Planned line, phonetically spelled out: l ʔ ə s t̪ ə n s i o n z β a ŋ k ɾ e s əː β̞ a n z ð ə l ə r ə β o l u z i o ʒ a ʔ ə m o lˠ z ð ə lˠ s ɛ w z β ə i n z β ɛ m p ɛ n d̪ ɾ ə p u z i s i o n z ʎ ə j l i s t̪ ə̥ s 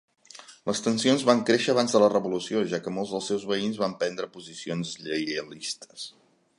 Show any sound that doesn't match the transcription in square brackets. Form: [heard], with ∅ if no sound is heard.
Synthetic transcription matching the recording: l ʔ ə s t̪ ə n s i o n z β a ŋ k ɾ e [ʃ] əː β̞ a n z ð ə l ə r ə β [u] l u [s] i o ʒ a [k] ə m o lˠ z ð ə lˠ s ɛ w z β ə i n z β [a] m p ɛ n d̪ ɾ ə p u z i s i o n z ʎ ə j l i s t̪ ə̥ s

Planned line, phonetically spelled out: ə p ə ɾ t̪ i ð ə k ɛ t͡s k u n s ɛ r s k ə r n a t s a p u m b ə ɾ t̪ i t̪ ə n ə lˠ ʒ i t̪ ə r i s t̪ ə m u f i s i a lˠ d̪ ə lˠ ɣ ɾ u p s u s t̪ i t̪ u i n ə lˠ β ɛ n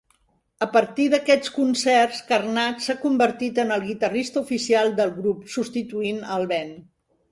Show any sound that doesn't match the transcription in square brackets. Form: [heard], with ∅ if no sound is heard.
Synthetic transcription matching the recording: ə p ə ɾ t̪ i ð ə k ɛ t͡s k u n s ɛ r s k ə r n a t s a [k] u m b ə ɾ t̪ i t̪ ə n ə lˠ [ɣ] i t̪ ə r i s t̪ ə [∅] u f i s i a lˠ d̪ ə lˠ ɣ ɾ u p s u s t̪ i t̪ u i n ə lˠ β ɛ n

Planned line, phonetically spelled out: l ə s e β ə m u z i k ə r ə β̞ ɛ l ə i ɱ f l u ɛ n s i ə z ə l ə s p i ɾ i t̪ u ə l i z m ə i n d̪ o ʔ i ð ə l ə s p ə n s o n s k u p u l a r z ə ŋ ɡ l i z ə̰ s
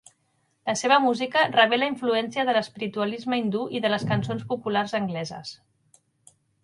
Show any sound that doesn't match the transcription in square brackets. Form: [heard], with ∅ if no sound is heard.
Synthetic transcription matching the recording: l ə s e β ə m u z i k ə r ə β̞ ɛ l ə i ɱ f l u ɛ n s i ə [ð] ə l ə s p i ɾ i t̪ u ə l i z m ə i n d̪ [u] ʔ i ð ə l ə s [k] ə n s o n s [p] u p u l a r z ə ŋ ɡ l [ɛ] z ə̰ s

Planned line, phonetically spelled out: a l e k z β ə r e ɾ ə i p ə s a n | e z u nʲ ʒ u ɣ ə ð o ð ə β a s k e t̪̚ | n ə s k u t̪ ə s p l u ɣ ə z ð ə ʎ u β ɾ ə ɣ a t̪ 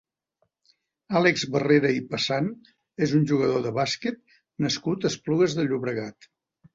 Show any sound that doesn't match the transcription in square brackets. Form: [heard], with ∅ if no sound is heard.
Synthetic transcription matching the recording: a l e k z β ə r e ɾ ə i p ə s a n | e z u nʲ ʒ u ɣ ə ð o ð ə β a s k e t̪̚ | n ə s k u t̪ ə s p l u ɣ ə z ð ə ʎ u β ɾ ə ɣ a t̪

